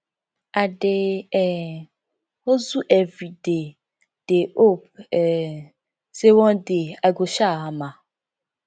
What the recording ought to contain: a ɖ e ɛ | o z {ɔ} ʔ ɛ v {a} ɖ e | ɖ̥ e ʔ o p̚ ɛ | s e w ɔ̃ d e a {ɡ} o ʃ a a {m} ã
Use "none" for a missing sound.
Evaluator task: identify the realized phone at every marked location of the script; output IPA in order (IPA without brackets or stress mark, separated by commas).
u, i, ɡ, m